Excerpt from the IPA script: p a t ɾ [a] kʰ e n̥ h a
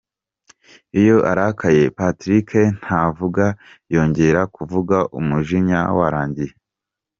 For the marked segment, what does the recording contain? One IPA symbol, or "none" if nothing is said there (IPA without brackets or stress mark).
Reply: i